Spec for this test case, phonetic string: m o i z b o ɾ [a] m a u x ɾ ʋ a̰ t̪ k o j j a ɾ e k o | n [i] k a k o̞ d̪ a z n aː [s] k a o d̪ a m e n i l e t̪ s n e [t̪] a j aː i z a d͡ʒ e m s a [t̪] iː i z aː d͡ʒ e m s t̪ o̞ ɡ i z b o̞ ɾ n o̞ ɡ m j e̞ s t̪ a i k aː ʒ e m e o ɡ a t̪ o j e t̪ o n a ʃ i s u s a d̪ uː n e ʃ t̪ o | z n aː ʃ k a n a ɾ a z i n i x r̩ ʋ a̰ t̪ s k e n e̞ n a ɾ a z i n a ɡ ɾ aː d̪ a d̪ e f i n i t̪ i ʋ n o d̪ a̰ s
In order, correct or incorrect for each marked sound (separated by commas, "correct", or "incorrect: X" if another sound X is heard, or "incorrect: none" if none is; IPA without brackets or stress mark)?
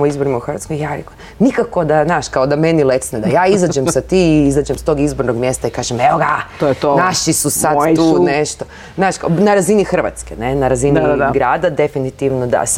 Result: incorrect: i, correct, incorrect: ʃ, incorrect: d̪, correct